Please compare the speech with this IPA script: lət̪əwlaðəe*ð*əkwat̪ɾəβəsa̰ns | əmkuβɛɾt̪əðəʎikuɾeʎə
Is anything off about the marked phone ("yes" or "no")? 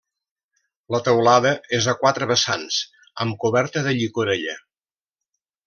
yes